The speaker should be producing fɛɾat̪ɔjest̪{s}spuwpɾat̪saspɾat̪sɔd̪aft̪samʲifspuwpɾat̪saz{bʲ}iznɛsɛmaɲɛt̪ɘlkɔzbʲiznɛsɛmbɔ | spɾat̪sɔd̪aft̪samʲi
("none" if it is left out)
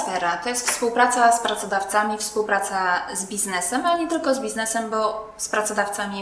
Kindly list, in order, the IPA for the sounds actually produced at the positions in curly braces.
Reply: f, bʲ

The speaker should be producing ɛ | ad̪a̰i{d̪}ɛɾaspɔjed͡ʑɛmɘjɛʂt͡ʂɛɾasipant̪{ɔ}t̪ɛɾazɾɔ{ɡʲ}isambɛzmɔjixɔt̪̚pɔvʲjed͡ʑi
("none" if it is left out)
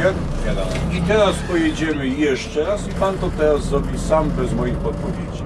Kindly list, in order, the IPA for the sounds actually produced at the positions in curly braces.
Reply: t̪, ɔ, bʲ

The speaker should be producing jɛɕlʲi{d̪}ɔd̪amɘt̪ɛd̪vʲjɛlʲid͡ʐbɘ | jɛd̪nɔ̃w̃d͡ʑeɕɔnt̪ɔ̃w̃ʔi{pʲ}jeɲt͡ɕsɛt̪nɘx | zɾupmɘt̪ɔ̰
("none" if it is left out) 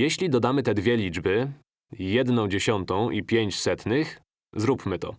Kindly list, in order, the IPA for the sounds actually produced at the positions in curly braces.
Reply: d̪, pʲ

